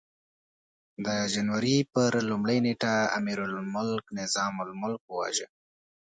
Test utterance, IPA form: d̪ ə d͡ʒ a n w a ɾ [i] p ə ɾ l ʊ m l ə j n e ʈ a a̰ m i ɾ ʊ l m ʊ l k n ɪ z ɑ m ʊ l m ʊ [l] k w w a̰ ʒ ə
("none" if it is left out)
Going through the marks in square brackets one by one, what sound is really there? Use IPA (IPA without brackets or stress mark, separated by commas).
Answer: i, l